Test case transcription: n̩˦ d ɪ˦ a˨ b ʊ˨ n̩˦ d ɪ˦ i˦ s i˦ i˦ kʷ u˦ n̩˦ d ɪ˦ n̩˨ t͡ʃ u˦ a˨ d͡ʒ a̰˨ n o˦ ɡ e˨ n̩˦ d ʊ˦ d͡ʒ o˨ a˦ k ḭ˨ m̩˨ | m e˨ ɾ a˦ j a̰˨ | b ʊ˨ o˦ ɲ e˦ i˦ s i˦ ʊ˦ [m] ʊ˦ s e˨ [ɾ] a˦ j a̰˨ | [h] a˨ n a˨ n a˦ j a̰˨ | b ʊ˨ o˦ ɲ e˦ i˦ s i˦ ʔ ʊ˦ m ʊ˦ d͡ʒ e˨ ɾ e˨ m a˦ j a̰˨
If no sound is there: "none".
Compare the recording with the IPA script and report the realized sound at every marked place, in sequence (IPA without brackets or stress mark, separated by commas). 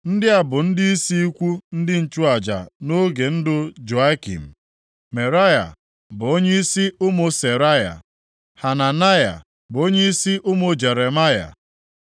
m, ɾ, h